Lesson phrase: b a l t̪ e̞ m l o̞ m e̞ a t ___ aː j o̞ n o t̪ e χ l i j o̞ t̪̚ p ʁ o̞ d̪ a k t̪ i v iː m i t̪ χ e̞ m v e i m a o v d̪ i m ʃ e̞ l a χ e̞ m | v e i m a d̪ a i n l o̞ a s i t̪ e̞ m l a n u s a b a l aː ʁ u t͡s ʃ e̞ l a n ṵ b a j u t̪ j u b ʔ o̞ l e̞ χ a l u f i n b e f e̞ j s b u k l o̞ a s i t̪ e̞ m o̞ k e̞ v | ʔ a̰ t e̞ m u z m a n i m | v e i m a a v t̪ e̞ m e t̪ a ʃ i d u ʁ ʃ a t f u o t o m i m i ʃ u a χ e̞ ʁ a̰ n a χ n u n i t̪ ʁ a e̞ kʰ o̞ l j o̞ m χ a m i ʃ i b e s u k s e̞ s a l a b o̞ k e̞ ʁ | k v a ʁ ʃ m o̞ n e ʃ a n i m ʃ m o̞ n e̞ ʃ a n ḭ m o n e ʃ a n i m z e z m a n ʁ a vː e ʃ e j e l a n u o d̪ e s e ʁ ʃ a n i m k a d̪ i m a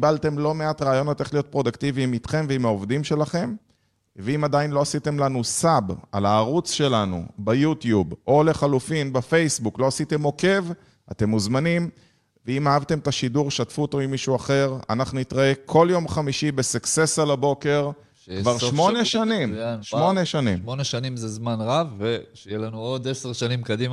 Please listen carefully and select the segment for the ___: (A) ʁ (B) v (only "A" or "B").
A